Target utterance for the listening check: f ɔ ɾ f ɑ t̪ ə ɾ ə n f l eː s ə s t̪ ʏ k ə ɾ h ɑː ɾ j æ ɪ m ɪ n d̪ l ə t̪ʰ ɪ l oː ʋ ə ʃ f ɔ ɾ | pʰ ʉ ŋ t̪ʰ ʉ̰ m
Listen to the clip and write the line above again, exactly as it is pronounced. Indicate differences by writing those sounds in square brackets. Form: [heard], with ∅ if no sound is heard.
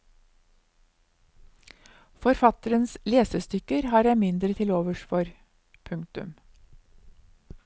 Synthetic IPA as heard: f ɔ ɾ f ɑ t̪ ə ɾ ə n [s] l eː s ə s t̪ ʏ k ə ɾ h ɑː ɾ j æ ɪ m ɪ n d̪ [ɾ] ə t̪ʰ ɪ l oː ʋ ə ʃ f ɔ ɾ | pʰ ʉ ŋ [t̪] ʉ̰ m